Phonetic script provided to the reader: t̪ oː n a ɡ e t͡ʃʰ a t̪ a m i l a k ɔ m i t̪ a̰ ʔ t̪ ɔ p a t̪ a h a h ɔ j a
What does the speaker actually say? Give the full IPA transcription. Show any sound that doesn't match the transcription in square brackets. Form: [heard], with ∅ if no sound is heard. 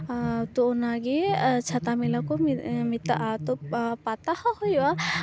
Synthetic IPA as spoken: t̪ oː n a ɡ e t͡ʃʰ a t̪ a m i l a k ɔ m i t̪ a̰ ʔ t̪ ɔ p a t̪ a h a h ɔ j a

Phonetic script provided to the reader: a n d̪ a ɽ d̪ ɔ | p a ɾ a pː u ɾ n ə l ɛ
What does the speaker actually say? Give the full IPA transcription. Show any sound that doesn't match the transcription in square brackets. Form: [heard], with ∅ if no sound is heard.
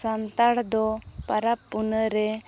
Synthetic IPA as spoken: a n [t̪] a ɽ d̪ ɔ | p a ɾ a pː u [∅] n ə [ɾ] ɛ

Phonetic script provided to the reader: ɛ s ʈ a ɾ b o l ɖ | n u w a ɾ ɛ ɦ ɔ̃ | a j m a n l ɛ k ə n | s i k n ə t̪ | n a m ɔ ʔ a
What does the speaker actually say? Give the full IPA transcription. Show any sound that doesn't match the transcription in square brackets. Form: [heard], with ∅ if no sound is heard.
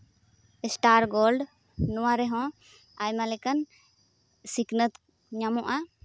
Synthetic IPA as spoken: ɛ s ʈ a ɾ [ɡ] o l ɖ | n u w a ɾ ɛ ɦ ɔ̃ | a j m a [∅] l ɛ k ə n | s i k n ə t̪ | [ɲ] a m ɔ ʔ a

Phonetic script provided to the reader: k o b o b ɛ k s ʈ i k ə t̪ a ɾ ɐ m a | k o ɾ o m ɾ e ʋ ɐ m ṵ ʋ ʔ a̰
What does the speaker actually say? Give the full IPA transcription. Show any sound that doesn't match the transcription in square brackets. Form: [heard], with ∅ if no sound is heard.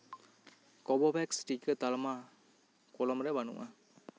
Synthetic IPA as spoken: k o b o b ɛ k s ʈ i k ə t̪ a [l] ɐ m a | k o [l] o m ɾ e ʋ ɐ [n] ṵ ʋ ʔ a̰

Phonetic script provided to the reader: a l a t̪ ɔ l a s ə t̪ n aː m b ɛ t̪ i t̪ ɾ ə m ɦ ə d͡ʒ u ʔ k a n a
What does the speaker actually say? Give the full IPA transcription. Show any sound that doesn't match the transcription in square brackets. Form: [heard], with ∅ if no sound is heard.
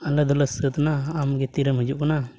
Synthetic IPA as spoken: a l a [d̪] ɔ l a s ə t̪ n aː m [ɡ] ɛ t̪ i [∅] ɾ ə m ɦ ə d͡ʒ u ʔ k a n a

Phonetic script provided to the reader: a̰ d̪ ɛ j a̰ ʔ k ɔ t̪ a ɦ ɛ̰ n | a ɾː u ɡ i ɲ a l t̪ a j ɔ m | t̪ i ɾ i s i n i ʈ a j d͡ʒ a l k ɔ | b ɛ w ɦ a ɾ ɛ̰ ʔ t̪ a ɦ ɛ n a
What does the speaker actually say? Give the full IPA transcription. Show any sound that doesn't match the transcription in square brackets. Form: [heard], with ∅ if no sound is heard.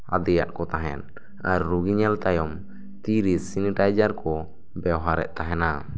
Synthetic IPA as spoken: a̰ d̪ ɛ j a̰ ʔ k ɔ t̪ a ɦ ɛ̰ n | a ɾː u ɡ i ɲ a l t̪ a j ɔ m | t̪ i ɾ i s i n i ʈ a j d͡ʒ a [ɾ] k ɔ | b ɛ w ɦ a ɾ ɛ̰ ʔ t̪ a ɦ ɛ n a

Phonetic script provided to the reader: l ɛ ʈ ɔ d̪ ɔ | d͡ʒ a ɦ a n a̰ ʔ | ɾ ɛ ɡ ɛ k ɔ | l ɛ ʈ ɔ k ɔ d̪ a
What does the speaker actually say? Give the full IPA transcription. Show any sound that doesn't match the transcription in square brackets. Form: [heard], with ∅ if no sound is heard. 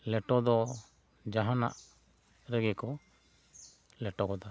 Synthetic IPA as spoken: l ɛ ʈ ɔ d̪ ɔ | d͡ʒ a ɦ a n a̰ ʔ | ɾ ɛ ɡ ɛ k ɔ | l ɛ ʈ ɔ k ɔ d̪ a

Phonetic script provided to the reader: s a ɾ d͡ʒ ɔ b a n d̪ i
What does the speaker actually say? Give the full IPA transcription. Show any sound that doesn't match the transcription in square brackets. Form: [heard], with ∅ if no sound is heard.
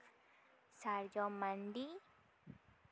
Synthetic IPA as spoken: s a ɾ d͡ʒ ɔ [m] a n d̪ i

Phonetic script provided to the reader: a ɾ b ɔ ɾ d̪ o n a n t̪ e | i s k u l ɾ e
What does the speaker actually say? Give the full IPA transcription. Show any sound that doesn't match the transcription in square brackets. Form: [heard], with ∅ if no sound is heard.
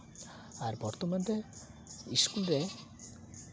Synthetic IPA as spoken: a ɾ b ɔ ɾ [t̪] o [m] a n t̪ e | i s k u l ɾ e

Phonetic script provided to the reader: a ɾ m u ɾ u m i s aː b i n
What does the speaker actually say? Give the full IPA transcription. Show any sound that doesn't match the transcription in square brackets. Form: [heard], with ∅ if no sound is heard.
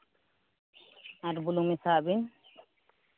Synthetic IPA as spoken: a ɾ [b] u [l] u m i s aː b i n

